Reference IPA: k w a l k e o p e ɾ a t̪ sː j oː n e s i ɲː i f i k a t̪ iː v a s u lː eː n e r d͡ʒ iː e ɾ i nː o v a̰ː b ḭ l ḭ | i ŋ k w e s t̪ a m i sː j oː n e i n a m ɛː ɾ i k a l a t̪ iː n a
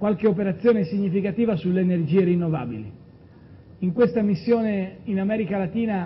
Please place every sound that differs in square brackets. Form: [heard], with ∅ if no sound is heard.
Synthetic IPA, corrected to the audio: k w a l k e o p e ɾ a t̪ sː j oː n e s i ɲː i f i k a t̪ iː v a s u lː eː n e r d͡ʒ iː e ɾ i nː o v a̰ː b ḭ l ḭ | i ŋ k w e s t̪ a m i sː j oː n e i n a m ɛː ɾ i k a l a t̪ iː n a